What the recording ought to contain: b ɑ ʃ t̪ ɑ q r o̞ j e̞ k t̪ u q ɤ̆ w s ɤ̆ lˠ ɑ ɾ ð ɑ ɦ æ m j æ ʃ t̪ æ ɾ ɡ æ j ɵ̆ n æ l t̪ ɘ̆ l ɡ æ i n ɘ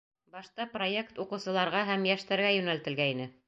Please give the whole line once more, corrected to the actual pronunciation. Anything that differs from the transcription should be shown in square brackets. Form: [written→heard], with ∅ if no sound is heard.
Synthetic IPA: b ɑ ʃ t̪ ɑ [q→p] r o̞ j e̞ k t̪ u q ɤ̆ w s ɤ̆ lˠ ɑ ɾ [ð→ʁ] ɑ ɦ æ m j æ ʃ t̪ æ ɾ ɡ æ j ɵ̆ n æ l t̪ ɘ̆ l ɡ æ i n ɘ